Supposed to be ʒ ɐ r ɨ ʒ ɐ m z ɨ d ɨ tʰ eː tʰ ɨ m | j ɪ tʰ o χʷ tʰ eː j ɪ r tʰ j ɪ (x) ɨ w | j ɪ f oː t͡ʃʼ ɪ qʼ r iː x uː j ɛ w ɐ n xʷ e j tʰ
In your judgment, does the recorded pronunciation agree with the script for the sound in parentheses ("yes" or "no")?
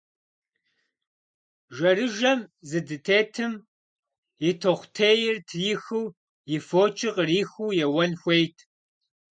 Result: yes